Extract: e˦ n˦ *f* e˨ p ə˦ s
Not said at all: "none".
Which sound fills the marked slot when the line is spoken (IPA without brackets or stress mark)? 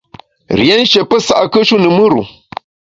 ʃ